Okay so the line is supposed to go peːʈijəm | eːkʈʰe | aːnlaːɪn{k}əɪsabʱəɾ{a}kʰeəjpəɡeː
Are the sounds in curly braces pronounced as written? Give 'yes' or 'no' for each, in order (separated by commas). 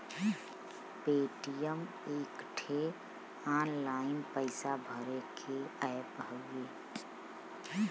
no, no